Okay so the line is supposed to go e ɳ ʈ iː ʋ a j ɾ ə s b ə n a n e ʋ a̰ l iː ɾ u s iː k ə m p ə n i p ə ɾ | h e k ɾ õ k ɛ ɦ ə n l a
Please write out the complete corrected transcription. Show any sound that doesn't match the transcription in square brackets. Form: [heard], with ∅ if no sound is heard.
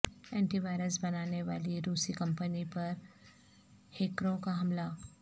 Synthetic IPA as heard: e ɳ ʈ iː ʋ a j ɾ ə s b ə n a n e ʋ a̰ l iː ɾ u s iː k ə m p ə n i p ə ɾ | h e k ɾ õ k [a] ɦ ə [m] l a